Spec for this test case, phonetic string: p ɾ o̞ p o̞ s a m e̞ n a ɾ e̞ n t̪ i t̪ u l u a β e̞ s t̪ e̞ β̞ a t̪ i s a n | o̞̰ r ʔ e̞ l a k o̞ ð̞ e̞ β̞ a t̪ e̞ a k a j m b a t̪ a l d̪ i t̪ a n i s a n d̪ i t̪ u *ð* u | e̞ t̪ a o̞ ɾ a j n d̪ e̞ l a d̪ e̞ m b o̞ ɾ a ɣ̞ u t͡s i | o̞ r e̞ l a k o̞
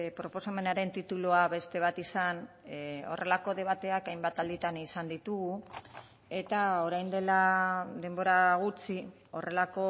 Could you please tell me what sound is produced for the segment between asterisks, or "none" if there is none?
ɣ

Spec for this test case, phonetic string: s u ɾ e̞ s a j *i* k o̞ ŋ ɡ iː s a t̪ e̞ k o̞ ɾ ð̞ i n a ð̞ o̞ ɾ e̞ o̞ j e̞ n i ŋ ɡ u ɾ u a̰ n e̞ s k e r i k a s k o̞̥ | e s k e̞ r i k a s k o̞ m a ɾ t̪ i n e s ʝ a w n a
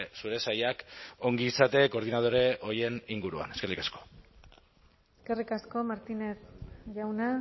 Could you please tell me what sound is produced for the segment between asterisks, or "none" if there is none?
a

